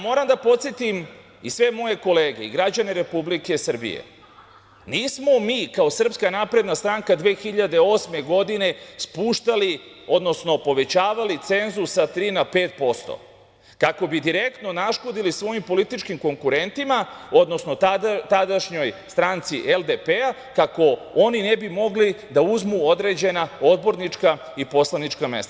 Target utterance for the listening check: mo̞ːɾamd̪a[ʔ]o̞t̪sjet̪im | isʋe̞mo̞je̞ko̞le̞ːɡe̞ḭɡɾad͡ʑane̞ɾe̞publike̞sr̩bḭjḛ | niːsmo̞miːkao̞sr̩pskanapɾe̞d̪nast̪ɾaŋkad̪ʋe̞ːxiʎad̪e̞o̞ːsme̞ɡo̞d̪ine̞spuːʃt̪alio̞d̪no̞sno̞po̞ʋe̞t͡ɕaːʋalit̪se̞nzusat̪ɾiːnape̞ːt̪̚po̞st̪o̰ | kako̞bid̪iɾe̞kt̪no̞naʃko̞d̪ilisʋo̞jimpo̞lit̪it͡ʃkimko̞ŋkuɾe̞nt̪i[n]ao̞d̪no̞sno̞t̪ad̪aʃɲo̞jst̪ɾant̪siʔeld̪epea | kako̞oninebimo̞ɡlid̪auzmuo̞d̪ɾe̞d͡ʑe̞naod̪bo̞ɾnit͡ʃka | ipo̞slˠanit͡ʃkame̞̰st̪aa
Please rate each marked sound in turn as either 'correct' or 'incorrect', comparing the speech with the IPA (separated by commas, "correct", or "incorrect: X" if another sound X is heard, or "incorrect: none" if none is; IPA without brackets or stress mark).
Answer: incorrect: p, incorrect: m